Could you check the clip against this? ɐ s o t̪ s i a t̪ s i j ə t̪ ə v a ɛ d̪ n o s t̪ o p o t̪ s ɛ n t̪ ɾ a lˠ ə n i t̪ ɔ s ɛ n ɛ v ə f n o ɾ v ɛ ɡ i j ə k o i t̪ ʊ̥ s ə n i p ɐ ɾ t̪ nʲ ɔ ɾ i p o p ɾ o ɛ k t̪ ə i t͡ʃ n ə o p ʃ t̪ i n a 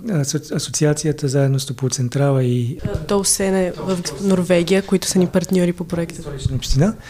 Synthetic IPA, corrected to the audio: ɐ s o t̪ s i a t̪ s i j ə t̪ ə z a ɛ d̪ n o s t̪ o p o t̪ s ɛ n t̪ ɾ a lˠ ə i t̪ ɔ s ɛ n ɛ v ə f n o ɾ v ɛ ɡ i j ə k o i t̪ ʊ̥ s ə n i p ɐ ɾ t̪ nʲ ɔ ɾ i p o p ɾ o ɛ k t̪ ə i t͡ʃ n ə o p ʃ t̪ i n a